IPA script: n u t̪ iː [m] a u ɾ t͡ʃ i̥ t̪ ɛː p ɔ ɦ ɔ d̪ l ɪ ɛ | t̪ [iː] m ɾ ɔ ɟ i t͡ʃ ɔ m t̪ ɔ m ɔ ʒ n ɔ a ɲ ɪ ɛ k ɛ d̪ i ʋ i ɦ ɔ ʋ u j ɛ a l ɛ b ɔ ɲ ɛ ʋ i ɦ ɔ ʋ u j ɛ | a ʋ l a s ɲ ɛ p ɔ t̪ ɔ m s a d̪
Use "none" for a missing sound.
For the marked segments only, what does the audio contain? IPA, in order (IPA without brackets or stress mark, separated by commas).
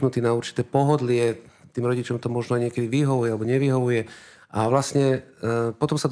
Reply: n, iː